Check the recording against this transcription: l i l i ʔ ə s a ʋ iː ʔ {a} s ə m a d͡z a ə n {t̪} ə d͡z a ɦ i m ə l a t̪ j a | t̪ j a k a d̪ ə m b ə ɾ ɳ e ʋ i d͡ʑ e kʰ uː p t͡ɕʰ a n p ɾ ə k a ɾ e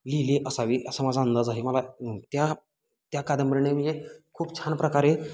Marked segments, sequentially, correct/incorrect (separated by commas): incorrect, incorrect